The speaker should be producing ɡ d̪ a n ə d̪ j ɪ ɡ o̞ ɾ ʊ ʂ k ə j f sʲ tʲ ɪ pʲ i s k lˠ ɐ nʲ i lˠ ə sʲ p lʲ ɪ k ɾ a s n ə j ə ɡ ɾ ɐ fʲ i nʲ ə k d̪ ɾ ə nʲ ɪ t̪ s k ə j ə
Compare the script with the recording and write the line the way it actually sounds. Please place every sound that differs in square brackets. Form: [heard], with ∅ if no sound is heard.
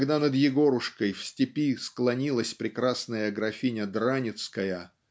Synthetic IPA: ɡ d̪ a n ə d̪ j ɪ ɡ o̞ ɾ ʊ ʂ k ə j f sʲ tʲ ɪ pʲ i s k lˠ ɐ nʲ i lˠ ə sʲ p [ɾʲ] ɪ k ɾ a s n ə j ə ɡ ɾ ɐ fʲ i nʲ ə [∅] d̪ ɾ [a] nʲ ɪ t̪ s k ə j ə